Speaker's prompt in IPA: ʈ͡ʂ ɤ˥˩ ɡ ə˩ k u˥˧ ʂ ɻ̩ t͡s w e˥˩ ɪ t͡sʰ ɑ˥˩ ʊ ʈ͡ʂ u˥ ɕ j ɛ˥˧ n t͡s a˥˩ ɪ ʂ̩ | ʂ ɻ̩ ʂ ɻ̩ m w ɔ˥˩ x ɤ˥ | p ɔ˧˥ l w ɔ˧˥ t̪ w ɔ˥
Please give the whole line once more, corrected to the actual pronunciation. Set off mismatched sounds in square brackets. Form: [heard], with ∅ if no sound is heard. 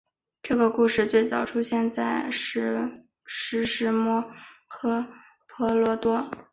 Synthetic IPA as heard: ʈ͡ʂ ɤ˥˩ ɡ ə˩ k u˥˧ ʂ ɻ̩ t͡s w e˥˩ ɪ [t͡s] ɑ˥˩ ʊ [ʈ͡ʂʰ] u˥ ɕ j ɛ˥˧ n t͡s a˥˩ ɪ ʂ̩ | ʂ ɻ̩ ʂ ɻ̩ m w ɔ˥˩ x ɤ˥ | [pʰ] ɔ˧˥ l w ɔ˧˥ t̪ w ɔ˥

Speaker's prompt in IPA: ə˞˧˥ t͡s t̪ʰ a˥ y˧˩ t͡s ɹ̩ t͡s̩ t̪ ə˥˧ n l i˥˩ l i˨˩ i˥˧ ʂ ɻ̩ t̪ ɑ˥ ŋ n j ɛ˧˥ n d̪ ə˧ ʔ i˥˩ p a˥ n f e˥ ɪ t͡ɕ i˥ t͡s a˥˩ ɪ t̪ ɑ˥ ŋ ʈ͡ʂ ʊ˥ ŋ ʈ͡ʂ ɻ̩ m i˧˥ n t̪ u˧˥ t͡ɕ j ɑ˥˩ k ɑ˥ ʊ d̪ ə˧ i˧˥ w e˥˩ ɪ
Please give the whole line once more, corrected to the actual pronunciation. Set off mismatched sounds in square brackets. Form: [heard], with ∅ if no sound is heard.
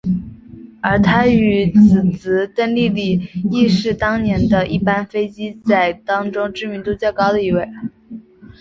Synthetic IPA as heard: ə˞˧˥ [∅] t̪ʰ a˥ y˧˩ t͡s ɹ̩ t͡s̩ t̪ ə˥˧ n l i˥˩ l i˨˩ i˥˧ ʂ ɻ̩ t̪ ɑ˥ ŋ n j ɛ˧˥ n d̪ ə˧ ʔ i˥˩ p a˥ n f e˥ ɪ t͡ɕ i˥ t͡s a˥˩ ɪ t̪ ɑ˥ ŋ ʈ͡ʂ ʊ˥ ŋ ʈ͡ʂ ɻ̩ m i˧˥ n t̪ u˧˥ t͡ɕ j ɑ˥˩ k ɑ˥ ʊ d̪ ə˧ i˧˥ w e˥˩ ɪ

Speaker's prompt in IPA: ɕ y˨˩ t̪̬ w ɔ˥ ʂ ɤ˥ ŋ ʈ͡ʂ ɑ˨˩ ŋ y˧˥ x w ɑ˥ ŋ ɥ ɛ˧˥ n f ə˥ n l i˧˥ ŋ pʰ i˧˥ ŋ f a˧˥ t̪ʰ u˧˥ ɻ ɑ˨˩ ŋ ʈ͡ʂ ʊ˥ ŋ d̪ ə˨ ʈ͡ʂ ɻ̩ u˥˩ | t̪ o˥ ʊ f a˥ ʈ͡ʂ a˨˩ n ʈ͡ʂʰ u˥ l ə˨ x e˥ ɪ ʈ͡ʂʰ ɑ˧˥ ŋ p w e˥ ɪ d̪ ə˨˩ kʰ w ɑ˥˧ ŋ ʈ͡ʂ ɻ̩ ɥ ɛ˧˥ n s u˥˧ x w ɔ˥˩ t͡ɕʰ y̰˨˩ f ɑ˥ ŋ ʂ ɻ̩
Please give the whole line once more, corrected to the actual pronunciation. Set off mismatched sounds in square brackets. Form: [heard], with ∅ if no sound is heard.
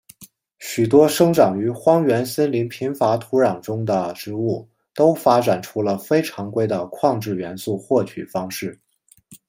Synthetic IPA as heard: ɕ y˨˩ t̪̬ w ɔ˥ ʂ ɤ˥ ŋ ʈ͡ʂ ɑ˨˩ ŋ y˧˥ x w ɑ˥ ŋ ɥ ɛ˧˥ n [s] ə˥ n l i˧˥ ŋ pʰ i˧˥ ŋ f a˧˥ t̪ʰ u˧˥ ɻ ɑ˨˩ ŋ ʈ͡ʂ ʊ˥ ŋ d̪ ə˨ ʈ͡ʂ ɻ̩ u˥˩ | t̪ o˥ ʊ f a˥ ʈ͡ʂ a˨˩ n ʈ͡ʂʰ u˥ l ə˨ [f] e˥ ɪ ʈ͡ʂʰ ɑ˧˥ ŋ [k] w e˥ ɪ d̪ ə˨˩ kʰ w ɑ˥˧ ŋ ʈ͡ʂ ɻ̩ ɥ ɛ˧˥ n s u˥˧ x w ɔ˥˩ t͡ɕʰ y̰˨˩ f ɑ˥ ŋ ʂ ɻ̩

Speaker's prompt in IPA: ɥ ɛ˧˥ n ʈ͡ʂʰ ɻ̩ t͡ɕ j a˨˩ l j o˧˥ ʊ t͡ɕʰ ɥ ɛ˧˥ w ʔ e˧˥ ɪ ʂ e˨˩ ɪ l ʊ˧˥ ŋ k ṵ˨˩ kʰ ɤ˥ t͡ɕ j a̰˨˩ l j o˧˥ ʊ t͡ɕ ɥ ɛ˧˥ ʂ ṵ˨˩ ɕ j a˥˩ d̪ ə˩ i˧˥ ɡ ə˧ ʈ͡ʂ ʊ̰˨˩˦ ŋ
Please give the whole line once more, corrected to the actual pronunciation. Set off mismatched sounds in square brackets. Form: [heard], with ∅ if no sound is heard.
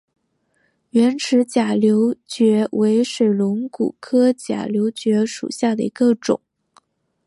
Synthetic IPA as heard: ɥ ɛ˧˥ n ʈ͡ʂʰ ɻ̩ t͡ɕ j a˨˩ l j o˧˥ ʊ [t͡ɕ] ɥ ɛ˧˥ w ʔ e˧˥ ɪ ʂ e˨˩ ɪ l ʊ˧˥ ŋ k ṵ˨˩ kʰ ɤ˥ t͡ɕ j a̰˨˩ l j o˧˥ ʊ t͡ɕ ɥ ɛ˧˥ ʂ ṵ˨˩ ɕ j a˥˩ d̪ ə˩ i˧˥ ɡ ə˧ ʈ͡ʂ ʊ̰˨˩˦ ŋ

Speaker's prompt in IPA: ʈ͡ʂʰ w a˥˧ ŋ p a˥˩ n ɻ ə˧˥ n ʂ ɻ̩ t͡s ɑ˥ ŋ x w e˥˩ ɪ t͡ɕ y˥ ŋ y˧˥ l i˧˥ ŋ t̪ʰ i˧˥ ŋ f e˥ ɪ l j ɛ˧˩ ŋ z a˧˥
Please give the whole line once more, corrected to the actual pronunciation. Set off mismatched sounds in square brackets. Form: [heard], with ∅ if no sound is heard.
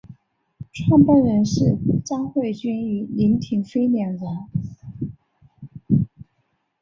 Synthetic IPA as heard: ʈ͡ʂʰ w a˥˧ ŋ p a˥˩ n ɻ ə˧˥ n ʂ ɻ̩ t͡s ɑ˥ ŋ x w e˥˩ ɪ t͡ɕ y˥ [n] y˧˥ l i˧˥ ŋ t̪ʰ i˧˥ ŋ f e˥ ɪ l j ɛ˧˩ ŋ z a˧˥

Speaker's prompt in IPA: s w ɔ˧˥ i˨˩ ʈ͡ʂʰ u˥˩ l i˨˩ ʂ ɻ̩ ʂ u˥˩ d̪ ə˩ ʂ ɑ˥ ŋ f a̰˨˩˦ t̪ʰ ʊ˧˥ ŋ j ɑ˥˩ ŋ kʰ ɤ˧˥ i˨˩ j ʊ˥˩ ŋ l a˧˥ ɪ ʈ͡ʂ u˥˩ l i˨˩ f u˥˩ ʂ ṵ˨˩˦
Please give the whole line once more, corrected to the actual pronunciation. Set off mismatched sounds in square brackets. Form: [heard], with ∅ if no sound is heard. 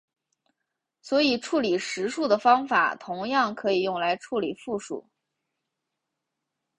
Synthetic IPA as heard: s w ɔ˧˥ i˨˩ ʈ͡ʂʰ u˥˩ l i˨˩ ʂ ɻ̩ ʂ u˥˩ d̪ ə˩ [f] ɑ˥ ŋ f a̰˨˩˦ t̪ʰ ʊ˧˥ ŋ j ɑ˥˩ ŋ kʰ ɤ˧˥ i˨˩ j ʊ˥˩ ŋ l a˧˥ ɪ [ʈ͡ʂʰ] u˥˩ l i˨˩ f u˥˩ ʂ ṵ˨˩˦

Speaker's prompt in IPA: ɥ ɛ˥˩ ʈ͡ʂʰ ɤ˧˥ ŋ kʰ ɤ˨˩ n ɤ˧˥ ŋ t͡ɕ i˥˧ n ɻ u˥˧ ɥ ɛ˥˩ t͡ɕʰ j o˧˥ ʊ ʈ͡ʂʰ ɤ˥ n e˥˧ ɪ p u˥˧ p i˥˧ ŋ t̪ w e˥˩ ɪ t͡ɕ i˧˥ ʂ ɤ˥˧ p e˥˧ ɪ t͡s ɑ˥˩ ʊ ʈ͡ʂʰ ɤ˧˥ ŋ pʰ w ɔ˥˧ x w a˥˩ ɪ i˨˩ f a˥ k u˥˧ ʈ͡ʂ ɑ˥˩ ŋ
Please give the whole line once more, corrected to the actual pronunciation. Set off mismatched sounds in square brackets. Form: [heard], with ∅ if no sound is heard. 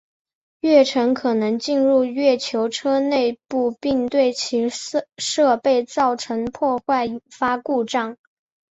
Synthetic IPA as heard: ɥ ɛ˥˩ ʈ͡ʂʰ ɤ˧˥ ŋ kʰ ɤ˨˩ n ɤ˧˥ ŋ t͡ɕ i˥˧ n ɻ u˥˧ ɥ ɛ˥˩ t͡ɕʰ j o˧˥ ʊ ʈ͡ʂʰ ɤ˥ n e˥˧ ɪ p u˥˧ p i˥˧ ŋ t̪ w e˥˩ ɪ [t͡ɕʰ] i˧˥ ʂ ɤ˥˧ p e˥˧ ɪ t͡s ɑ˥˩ ʊ ʈ͡ʂʰ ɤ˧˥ ŋ pʰ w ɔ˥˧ x w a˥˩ ɪ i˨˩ f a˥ k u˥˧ ʈ͡ʂ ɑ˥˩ ŋ

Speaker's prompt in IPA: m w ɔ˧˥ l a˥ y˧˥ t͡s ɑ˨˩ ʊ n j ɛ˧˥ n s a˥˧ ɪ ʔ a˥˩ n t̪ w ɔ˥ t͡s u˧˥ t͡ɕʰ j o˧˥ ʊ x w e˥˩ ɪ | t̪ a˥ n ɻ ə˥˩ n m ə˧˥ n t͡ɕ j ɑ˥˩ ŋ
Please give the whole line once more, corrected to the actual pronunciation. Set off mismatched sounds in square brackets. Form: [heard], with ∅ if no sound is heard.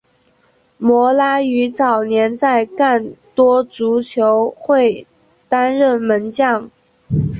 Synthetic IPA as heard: m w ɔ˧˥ l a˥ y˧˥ t͡s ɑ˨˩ ʊ n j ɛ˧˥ n [t͡s] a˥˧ ɪ [k] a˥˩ n t̪ w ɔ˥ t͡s u˧˥ t͡ɕʰ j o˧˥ ʊ x w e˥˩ ɪ | t̪ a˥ n ɻ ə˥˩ n m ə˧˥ n t͡ɕ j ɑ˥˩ ŋ

